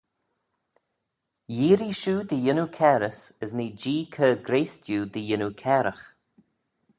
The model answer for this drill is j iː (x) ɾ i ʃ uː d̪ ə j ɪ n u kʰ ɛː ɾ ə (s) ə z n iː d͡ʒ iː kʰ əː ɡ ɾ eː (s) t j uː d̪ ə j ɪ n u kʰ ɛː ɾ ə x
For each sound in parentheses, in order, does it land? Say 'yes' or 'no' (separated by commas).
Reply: no, yes, yes